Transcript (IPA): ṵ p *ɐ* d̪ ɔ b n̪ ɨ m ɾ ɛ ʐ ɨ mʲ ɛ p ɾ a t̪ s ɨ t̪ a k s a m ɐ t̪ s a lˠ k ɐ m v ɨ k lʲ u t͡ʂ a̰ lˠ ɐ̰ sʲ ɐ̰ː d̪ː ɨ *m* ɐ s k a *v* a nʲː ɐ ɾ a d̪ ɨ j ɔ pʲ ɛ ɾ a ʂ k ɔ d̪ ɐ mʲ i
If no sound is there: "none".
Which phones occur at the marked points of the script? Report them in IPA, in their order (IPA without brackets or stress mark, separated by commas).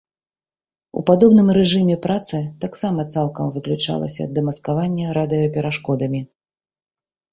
a, m, v